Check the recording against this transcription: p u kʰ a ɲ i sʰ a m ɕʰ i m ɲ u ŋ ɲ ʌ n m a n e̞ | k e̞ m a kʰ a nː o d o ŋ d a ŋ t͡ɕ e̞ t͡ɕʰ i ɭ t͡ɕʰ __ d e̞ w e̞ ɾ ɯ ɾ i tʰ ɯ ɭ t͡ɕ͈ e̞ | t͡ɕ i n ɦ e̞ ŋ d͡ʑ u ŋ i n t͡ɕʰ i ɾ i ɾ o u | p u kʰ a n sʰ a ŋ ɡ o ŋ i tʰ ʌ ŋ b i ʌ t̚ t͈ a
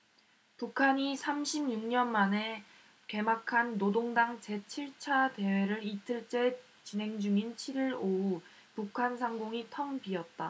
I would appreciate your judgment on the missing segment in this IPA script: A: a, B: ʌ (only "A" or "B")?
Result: A